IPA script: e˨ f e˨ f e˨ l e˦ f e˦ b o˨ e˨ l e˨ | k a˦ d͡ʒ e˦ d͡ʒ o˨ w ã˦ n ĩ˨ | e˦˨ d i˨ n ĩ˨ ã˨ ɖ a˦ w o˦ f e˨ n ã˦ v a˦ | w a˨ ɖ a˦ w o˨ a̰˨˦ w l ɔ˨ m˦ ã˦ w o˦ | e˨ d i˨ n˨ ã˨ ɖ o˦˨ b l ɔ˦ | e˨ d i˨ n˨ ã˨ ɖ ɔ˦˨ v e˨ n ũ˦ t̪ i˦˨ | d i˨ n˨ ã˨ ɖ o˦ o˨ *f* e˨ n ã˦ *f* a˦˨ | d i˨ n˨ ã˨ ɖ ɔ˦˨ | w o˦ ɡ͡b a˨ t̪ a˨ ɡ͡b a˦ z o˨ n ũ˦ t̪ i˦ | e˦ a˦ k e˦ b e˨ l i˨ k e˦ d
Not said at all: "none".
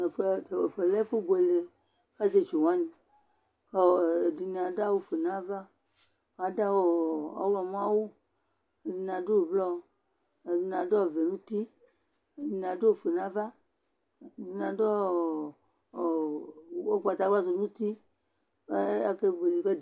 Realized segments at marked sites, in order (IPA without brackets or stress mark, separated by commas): f, v